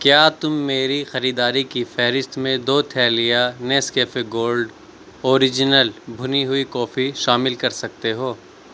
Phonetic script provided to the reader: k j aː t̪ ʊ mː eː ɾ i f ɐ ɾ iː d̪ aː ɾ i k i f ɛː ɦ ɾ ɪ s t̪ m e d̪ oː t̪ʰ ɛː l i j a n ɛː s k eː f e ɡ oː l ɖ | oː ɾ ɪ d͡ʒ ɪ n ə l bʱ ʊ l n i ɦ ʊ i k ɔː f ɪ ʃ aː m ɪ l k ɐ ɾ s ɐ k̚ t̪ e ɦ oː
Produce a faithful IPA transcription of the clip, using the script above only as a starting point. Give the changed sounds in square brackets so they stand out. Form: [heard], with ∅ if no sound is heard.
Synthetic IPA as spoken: k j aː t̪ ʊ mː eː ɾ i [x] ɐ ɾ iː d̪ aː ɾ i k i f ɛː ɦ ɾ ɪ s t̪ m [ẽ] d̪ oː t̪ʰ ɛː l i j a n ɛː s k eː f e ɡ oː l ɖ | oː ɾ ɪ d͡ʒ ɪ n ə l bʱ ʊ [∅] n i ɦ ʊ i k ɔː f [i] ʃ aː m ɪ l k ɐ ɾ s ɐ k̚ t̪ e ɦ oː